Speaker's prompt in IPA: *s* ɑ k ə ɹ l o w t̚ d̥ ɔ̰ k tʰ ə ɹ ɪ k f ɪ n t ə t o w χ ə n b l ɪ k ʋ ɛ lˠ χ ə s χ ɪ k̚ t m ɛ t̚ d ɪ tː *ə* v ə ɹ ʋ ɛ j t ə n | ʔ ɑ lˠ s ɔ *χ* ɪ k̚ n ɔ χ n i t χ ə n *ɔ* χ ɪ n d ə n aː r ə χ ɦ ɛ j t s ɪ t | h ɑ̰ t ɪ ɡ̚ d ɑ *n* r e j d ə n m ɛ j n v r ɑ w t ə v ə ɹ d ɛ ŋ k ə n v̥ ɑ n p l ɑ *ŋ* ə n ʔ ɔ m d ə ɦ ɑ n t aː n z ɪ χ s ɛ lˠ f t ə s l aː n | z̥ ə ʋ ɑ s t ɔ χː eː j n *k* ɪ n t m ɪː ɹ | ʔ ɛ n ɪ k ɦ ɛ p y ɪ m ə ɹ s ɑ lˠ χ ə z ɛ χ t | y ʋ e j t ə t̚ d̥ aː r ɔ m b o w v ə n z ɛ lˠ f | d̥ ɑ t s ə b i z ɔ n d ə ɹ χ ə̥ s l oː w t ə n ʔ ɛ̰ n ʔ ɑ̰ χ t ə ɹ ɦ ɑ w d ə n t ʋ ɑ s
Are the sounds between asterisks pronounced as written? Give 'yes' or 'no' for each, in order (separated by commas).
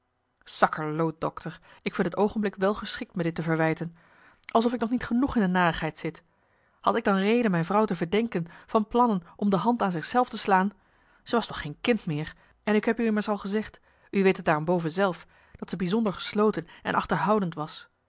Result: yes, yes, no, no, yes, no, yes